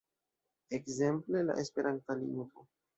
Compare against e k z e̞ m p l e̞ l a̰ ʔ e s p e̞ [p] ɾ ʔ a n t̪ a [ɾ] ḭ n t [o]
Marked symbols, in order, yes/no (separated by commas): no, no, yes